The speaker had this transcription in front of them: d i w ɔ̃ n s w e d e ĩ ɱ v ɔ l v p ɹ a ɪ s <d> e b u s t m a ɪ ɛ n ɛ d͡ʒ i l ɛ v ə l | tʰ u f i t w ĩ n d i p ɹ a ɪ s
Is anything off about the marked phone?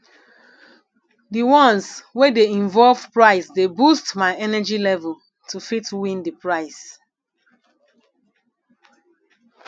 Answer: no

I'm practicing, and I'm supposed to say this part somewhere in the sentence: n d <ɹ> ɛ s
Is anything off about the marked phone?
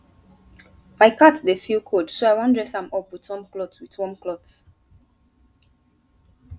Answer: no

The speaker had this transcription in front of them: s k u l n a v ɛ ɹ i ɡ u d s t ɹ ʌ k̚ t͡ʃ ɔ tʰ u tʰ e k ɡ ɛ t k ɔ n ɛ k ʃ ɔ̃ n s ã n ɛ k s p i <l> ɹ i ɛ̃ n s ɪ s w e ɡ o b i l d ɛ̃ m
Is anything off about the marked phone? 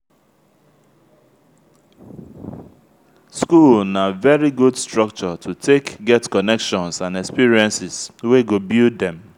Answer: yes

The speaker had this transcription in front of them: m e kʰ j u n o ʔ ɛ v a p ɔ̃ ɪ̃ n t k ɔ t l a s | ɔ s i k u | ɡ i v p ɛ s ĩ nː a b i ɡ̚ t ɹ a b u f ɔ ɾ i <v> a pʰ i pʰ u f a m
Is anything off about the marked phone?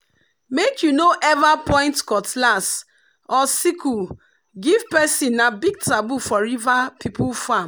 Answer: no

